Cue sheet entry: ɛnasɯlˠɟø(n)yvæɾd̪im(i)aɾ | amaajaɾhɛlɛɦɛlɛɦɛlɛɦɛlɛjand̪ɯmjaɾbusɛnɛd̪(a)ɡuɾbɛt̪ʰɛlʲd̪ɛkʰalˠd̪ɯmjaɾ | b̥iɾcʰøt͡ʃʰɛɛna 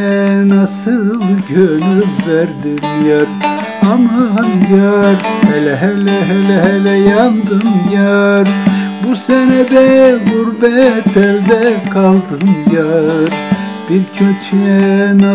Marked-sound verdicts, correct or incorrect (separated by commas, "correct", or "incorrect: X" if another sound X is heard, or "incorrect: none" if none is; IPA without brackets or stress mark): correct, incorrect: j, incorrect: ɛ